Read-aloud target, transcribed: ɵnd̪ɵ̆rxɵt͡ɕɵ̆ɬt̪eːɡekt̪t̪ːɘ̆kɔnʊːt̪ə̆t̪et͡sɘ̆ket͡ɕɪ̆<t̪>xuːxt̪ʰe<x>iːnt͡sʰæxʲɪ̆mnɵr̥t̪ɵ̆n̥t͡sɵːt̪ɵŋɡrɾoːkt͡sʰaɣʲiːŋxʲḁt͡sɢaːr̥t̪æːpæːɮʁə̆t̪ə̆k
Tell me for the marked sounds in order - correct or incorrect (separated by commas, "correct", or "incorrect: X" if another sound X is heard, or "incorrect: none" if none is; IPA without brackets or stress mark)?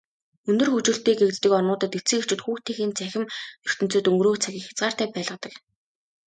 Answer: correct, correct